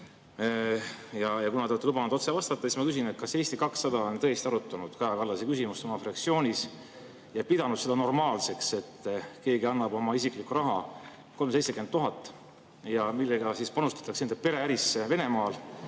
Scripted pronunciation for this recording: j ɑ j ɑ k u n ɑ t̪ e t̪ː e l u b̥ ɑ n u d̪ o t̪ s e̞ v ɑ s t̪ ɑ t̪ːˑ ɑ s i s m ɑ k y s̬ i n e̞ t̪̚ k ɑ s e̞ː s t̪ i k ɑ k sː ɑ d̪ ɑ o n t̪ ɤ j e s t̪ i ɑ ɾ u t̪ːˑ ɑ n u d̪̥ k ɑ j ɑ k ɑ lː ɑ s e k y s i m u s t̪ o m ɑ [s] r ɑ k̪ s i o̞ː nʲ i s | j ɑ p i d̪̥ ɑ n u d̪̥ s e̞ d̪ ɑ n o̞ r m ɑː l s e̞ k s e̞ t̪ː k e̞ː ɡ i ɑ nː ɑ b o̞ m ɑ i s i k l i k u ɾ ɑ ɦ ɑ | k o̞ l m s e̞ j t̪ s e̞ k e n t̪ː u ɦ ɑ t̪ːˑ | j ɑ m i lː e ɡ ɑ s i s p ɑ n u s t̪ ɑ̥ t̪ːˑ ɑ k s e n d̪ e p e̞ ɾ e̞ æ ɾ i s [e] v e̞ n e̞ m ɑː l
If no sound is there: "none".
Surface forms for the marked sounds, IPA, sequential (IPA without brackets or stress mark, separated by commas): f, e